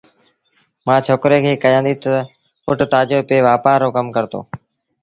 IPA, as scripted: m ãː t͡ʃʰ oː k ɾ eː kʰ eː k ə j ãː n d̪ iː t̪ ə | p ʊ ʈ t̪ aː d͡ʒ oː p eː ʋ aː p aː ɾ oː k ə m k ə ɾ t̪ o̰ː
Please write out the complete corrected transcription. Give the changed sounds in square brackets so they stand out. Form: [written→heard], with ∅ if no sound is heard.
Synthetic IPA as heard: m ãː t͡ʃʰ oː k ɾ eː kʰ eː k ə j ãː n d̪ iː t̪ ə | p ʊ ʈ t̪ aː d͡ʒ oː p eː ʋ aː p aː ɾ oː k ə m k ə ɾ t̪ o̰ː